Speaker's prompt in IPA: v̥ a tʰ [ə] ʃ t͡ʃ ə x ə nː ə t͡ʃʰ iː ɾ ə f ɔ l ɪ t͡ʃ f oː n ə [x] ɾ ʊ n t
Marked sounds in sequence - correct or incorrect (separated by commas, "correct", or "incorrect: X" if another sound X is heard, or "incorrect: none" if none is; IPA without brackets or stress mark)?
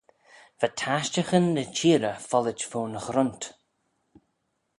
incorrect: a, correct